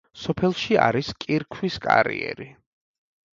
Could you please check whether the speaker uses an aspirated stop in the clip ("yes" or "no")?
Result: yes